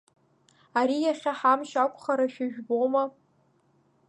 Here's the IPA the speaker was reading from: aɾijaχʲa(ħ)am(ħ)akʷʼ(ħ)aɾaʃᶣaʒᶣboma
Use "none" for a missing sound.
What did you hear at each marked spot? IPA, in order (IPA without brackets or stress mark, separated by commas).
ħ, ʃ, χ